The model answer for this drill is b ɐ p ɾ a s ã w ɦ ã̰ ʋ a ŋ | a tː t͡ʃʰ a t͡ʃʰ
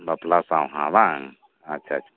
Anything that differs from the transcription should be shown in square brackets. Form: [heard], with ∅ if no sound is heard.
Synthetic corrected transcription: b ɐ p [l] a s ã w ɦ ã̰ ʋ a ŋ | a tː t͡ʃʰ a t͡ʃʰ

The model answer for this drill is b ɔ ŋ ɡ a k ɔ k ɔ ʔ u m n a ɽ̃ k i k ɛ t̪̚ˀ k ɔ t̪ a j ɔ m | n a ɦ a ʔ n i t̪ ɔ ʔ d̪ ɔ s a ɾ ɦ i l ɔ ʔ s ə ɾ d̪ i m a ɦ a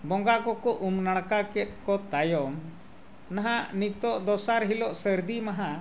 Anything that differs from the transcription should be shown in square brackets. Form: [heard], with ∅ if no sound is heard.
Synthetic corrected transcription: b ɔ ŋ ɡ a k ɔ k ɔ ʔ u m n a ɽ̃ k [a] k ɛ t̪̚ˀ k ɔ t̪ a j ɔ m | n a ɦ a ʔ n i t̪ ɔ ʔ d̪ ɔ s a ɾ ɦ i l ɔ ʔ s ə ɾ d̪ i m a ɦ a

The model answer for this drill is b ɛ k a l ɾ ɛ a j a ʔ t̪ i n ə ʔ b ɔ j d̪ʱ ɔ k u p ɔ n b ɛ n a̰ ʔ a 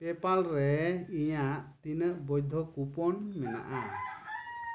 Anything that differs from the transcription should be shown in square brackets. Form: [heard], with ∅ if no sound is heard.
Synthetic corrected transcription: [p] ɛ [p] a l ɾ ɛ [i] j a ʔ t̪ i n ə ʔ b ɔ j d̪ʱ ɔ k u p ɔ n [m] ɛ n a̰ ʔ a

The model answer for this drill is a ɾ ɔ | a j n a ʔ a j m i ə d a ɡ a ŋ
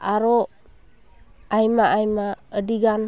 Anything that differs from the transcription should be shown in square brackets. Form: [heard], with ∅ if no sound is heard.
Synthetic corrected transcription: a ɾ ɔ | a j [m] a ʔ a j m [a] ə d [i] ɡ a [n]

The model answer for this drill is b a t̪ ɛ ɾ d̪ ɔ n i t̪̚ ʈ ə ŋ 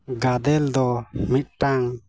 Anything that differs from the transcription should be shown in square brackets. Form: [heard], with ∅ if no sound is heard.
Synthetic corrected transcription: [ɡ] a [d̪] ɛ [l] d̪ ɔ [m] i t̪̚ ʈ [a] ŋ

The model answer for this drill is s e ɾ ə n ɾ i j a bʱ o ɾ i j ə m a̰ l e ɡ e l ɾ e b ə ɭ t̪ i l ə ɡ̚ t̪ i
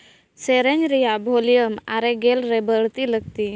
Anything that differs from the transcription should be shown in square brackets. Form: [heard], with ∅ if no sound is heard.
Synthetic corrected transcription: s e ɾ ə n ɾ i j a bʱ o [l] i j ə m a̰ [ɾ] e ɡ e l ɾ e b ə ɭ t̪ i l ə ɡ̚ t̪ i

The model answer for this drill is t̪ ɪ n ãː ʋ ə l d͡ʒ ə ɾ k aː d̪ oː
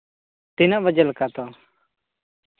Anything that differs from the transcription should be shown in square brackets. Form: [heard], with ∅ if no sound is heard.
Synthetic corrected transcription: t̪ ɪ n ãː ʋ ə [∅] d͡ʒ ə [l] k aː [t̪] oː

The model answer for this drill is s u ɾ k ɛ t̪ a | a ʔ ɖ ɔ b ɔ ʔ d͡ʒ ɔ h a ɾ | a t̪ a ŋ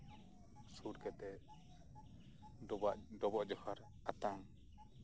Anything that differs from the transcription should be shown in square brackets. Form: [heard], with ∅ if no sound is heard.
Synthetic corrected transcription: s u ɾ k ɛ t̪ [ɛ] | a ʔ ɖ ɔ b ɔ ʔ d͡ʒ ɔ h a ɾ | a t̪ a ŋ

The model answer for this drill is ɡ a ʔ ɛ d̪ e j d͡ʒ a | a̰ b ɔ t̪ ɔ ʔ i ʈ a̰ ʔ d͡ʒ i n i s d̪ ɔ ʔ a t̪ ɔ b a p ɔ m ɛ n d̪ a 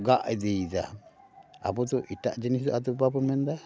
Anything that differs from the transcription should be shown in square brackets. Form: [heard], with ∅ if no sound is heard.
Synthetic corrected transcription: ɡ a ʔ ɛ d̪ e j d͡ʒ a | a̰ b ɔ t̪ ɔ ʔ i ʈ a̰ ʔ d͡ʒ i n i s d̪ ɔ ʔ a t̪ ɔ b a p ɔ m ɛ n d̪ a

